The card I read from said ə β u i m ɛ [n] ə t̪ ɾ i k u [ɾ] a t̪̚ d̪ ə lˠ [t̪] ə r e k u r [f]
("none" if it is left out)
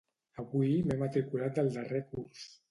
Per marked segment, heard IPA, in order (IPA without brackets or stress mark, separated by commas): m, l, d̪, s